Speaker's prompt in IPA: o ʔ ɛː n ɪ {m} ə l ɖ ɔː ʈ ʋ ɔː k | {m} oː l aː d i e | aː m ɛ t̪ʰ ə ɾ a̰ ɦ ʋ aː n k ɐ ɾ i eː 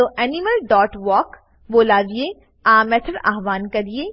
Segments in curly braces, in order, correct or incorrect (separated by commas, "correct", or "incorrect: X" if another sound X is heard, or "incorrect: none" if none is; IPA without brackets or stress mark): correct, incorrect: b